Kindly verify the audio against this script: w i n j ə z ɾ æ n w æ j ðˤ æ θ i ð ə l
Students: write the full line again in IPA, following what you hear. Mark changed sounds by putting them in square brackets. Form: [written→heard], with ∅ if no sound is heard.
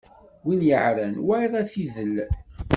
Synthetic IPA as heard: w i n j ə [z→ʕ] ɾ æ n w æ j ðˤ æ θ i ð ə l